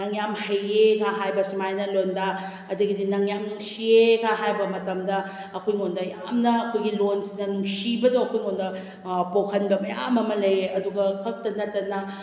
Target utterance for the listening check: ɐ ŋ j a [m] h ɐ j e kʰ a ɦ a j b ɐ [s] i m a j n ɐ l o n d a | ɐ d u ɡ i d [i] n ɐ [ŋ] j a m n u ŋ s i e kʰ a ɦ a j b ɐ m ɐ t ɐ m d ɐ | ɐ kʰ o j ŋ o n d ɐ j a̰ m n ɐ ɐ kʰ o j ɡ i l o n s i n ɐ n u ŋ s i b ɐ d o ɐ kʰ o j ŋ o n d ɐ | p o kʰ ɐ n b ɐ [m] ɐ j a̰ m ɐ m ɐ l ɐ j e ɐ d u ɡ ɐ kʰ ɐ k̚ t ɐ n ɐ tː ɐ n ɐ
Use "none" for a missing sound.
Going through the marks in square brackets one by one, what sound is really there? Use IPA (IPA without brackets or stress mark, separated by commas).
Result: m, s, i, ŋ, m